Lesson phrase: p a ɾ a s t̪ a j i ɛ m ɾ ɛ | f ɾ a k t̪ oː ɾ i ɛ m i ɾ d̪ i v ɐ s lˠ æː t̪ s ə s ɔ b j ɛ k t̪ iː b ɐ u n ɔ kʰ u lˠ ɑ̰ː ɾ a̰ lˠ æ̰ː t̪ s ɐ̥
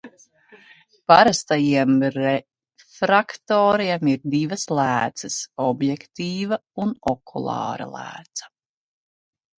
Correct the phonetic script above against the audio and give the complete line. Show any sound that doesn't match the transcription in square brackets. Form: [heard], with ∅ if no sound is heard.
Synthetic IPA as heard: p a ɾ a s t̪ a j i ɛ m ɾ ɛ | f ɾ a k t̪ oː ɾ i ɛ m i ɾ d̪ i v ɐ s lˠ æː t̪ s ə s ɔ b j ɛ k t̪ iː [v] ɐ u n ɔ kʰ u lˠ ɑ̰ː ɾ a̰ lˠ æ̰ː t̪ s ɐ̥